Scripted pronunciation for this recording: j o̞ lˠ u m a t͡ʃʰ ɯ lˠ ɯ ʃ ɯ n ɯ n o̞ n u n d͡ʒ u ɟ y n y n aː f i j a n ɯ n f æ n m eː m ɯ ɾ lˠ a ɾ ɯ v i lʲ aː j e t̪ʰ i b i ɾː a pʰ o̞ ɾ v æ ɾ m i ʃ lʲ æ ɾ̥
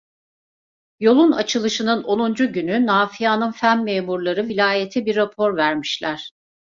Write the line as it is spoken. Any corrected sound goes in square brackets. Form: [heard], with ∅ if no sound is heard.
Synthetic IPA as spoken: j o̞ lˠ u [n] a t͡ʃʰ ɯ lˠ ɯ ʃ ɯ n ɯ n o̞ n u n d͡ʒ u ɟ y n y n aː f i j a n ɯ n f æ n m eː m [u] ɾ lˠ a ɾ ɯ v i lʲ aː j e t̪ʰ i b i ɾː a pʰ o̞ ɾ v æ ɾ m i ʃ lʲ æ ɾ̥